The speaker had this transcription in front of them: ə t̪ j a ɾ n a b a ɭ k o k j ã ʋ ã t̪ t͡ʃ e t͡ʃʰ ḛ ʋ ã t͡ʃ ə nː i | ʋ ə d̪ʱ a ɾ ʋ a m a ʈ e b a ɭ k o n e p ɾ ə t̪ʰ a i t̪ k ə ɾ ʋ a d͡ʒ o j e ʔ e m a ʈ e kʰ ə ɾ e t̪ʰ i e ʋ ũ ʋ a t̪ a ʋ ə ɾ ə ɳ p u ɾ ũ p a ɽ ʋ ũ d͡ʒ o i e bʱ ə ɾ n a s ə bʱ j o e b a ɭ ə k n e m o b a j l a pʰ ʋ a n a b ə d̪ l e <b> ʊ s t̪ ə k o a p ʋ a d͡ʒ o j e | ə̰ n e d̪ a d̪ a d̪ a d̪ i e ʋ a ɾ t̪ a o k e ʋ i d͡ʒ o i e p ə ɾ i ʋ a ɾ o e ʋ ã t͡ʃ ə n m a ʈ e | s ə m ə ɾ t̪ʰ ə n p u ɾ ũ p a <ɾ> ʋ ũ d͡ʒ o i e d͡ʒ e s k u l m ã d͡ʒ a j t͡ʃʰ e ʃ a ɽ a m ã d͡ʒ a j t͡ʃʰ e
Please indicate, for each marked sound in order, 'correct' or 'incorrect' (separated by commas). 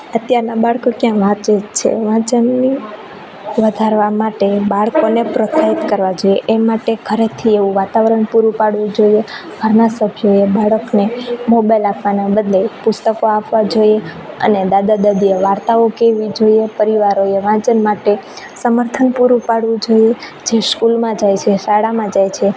incorrect, incorrect